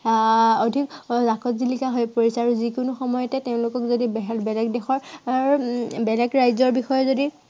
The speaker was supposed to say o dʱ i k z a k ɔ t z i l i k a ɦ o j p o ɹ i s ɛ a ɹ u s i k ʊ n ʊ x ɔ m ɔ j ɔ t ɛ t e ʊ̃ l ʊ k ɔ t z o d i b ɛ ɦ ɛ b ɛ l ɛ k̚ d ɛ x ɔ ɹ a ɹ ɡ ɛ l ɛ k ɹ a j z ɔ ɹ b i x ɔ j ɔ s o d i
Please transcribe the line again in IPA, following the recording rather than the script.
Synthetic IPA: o dʱ i k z a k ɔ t z i l i k a ɦ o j p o ɹ i s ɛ a ɹ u z i k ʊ n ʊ x ɔ m ɔ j ɔ t ɛ t e ʊ̃ l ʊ k ɔ k z o d i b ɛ ɦ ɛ b ɛ l ɛ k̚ d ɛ x ɔ ɹ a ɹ b ɛ l ɛ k ɹ a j z ɔ ɹ b i x ɔ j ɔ z o d i